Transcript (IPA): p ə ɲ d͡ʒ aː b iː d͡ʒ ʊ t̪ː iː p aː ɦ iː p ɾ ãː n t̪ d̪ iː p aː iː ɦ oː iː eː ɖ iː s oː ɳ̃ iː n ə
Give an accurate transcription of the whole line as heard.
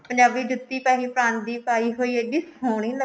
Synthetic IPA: p ə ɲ d͡ʒ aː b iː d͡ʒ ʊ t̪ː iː p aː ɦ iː p ɾ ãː n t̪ d̪ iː p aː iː ɦ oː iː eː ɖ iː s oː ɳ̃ iː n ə